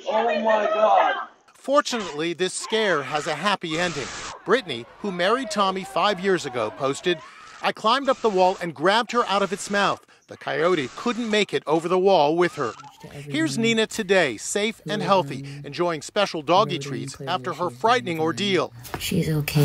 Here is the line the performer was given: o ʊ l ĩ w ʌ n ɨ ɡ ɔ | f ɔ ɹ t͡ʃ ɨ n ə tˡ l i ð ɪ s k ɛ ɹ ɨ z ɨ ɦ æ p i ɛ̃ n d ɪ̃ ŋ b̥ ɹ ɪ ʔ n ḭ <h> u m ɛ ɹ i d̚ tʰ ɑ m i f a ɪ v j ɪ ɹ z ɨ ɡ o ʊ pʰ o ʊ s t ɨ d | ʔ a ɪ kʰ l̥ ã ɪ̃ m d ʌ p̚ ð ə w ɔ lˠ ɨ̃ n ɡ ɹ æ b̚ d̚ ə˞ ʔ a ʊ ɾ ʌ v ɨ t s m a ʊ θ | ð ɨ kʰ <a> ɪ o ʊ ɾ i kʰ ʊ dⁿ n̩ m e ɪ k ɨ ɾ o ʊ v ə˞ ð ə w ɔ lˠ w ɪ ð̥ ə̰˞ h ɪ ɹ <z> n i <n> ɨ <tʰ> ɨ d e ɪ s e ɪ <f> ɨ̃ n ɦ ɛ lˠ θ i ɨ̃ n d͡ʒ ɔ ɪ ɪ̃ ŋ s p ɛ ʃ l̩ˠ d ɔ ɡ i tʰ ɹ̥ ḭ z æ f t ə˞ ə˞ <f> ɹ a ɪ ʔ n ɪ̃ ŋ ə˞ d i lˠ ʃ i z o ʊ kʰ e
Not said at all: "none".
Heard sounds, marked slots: h, a, z, n, tʰ, f, f

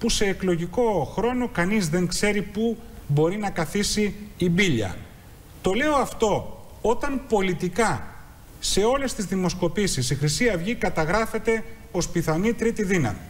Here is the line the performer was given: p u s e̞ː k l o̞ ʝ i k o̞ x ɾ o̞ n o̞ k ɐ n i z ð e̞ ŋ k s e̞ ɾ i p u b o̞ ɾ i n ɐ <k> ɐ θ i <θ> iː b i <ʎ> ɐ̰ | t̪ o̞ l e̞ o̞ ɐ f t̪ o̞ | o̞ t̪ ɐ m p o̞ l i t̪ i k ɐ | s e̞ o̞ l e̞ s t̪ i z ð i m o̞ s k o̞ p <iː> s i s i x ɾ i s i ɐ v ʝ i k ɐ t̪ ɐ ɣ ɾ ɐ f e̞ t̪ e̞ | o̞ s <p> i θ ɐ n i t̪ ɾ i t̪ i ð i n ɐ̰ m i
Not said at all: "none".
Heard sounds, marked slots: k, s, ʎ, i, p

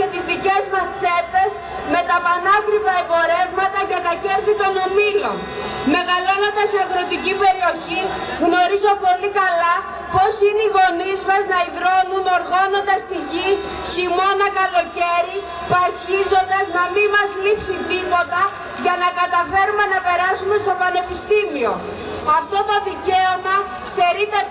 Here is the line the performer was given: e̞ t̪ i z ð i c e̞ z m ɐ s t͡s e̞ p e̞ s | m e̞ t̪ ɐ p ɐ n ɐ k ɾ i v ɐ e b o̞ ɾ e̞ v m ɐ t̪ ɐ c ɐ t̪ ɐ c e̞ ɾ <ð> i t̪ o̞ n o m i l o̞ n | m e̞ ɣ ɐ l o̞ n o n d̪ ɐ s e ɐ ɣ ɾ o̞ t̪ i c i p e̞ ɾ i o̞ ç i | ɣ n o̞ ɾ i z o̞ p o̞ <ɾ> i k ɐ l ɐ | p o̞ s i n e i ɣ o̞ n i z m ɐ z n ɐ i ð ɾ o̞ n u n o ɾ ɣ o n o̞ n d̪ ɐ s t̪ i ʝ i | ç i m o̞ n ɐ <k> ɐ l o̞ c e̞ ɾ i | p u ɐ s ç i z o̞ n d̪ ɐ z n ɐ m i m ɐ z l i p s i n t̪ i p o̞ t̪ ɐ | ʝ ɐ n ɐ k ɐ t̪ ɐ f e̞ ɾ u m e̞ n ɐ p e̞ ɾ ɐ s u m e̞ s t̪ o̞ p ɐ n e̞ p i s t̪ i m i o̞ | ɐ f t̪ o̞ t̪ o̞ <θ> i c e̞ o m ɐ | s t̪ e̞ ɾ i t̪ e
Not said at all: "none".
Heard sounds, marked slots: θ, l, k, ð

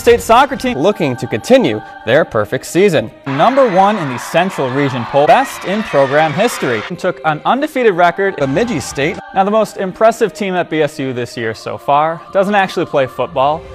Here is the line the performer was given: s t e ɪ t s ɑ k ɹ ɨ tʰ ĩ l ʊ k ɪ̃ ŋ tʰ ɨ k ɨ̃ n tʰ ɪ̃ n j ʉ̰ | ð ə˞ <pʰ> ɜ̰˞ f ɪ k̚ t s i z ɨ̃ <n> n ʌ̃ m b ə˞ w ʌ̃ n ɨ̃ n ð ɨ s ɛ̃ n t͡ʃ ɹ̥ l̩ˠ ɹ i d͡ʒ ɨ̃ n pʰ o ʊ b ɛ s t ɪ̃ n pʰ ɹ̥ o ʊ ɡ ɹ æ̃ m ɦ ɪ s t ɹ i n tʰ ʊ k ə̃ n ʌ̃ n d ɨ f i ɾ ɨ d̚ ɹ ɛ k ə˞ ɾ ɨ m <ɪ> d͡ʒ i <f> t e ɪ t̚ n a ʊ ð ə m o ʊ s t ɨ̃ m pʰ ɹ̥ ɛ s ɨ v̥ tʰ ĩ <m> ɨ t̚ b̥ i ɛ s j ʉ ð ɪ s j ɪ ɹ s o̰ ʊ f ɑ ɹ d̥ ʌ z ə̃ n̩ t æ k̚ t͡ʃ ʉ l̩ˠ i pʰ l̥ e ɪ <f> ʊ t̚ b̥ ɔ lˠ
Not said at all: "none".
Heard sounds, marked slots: pʰ, n, ɪ, s, m, f

